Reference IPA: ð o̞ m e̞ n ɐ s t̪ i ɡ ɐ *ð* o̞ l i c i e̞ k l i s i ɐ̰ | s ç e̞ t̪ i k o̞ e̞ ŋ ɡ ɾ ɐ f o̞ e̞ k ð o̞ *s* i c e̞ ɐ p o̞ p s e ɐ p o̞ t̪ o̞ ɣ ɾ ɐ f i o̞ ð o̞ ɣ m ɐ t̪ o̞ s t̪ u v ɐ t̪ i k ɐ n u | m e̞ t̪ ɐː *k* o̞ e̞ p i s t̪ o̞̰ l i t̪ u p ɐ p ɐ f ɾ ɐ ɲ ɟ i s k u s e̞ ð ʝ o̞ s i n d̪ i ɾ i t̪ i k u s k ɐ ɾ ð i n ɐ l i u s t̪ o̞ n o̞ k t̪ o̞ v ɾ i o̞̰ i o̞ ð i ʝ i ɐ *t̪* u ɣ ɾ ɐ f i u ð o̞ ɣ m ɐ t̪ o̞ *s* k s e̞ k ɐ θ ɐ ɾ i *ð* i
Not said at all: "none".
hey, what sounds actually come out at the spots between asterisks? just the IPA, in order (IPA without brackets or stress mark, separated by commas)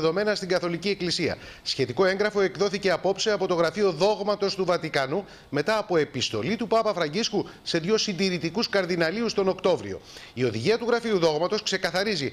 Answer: θ, θ, p, t̪, s, z